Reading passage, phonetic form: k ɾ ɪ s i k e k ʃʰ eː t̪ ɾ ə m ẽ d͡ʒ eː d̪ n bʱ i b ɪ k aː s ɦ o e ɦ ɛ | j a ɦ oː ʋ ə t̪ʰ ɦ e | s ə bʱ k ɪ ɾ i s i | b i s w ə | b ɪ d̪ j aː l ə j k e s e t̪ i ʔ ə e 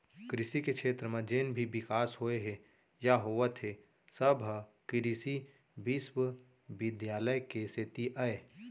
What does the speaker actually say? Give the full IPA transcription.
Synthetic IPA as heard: k ɾ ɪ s i k e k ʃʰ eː t̪ ɾ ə m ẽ d͡ʒ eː n bʱ i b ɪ k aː s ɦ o e ɦ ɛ | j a ɦ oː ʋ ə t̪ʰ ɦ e | s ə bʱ k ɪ ɾ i s i | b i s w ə | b ɪ d̪ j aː l ə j k e s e t̪ i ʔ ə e